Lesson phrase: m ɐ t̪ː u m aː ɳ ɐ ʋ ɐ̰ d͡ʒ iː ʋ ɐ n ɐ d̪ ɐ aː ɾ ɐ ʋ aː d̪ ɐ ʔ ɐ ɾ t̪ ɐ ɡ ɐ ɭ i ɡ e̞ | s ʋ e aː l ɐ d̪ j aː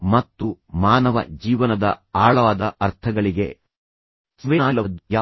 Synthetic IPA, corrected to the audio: m ɐ t̪ː u m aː n ɐ ʋ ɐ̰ d͡ʒ iː ʋ ɐ n ɐ d̪ ɐ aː ɭ ɐ ʋ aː d̪ ɐ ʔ ɐ ɾ t̪ʰ ɐ ɡ ɐ ɭ i ɡ e̞ | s ʋ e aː l ɐ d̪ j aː